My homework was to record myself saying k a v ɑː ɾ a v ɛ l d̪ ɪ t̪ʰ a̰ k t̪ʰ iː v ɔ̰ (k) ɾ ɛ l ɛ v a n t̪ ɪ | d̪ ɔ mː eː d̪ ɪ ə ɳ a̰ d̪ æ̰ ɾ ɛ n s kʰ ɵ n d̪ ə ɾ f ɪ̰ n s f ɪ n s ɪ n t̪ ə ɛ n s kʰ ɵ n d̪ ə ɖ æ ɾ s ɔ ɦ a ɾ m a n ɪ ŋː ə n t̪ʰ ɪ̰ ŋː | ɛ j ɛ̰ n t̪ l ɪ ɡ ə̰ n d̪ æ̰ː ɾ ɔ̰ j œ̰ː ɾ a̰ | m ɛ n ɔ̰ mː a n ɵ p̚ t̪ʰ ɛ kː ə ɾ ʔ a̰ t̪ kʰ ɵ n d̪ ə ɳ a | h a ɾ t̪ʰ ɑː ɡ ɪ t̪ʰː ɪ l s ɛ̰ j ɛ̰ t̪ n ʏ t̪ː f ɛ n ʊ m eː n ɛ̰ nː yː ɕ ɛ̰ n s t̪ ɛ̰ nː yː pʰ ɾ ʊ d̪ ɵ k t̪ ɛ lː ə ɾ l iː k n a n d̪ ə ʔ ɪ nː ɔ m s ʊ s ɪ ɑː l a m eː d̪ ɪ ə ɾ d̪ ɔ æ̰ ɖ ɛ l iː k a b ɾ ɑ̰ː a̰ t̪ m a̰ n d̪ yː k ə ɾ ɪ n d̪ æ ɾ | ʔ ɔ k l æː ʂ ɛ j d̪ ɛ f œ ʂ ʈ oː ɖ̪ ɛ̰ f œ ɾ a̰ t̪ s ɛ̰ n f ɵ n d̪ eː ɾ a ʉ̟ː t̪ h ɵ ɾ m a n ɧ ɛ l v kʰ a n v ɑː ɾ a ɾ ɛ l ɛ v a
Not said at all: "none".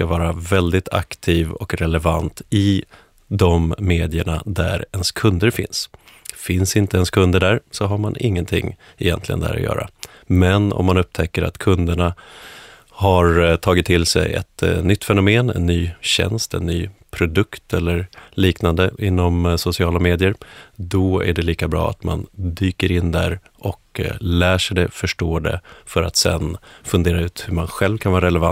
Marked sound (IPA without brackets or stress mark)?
k